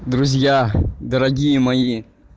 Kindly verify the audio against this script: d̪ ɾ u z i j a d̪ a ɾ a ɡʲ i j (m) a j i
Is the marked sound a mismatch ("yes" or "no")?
no